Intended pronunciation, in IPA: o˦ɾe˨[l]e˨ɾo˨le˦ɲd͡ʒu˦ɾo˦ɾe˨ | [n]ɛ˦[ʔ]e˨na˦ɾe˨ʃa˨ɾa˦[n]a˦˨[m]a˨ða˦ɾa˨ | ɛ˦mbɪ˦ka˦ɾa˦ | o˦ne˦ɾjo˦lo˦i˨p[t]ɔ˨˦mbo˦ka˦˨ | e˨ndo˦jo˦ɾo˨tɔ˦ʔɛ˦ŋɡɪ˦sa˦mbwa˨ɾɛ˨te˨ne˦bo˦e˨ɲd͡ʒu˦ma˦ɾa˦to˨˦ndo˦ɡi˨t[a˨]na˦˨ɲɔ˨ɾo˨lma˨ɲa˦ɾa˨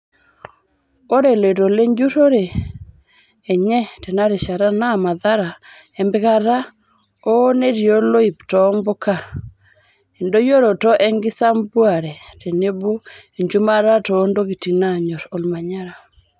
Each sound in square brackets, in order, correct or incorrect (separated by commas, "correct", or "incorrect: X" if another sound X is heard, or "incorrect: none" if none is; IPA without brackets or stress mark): correct, incorrect: ɲ, incorrect: t, correct, correct, correct, incorrect: i˨